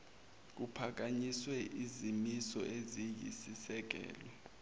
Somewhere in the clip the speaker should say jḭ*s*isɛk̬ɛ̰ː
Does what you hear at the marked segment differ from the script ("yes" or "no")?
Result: no